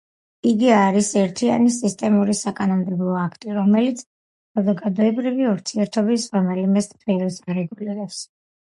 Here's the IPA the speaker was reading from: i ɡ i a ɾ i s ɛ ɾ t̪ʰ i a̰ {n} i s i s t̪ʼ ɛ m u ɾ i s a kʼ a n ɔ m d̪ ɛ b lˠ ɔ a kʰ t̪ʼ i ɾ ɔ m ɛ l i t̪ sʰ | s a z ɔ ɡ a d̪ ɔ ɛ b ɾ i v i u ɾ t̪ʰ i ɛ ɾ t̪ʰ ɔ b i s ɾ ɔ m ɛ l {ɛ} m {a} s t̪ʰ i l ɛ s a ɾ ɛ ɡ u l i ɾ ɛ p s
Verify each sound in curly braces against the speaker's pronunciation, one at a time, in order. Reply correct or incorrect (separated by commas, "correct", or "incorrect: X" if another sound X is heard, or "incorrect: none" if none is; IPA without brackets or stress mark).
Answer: correct, incorrect: i, incorrect: ɛ